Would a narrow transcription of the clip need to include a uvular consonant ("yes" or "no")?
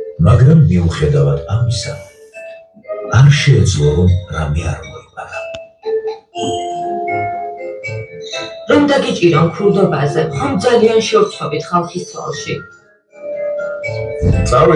yes